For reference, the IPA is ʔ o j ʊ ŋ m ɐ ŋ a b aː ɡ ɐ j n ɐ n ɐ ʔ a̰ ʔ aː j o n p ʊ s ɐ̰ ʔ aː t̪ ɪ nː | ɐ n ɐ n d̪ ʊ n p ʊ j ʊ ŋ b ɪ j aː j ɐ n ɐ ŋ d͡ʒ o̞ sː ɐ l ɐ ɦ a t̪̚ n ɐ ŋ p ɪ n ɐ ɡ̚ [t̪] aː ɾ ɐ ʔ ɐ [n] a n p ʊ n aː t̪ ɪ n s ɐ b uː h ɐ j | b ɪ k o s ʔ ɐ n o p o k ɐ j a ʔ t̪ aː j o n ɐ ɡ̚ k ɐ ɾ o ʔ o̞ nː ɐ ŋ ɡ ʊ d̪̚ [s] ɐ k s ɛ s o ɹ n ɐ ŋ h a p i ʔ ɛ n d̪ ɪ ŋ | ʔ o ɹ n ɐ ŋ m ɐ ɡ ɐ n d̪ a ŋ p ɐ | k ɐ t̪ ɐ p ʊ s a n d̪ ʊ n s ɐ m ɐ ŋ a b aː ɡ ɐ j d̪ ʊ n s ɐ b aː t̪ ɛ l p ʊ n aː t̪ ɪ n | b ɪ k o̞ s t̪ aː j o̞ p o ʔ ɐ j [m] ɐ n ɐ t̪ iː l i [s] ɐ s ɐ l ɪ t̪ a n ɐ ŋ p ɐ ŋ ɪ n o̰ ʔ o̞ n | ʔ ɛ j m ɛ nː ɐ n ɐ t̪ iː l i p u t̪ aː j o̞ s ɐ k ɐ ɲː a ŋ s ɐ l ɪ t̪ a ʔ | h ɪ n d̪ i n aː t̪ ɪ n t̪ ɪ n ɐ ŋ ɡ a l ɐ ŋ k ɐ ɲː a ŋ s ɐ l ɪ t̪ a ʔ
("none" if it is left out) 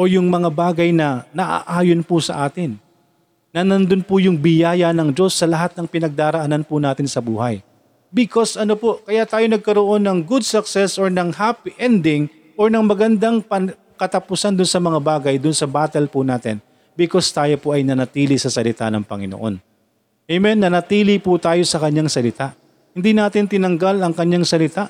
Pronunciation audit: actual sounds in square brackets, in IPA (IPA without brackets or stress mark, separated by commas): d̪, n, s, n, s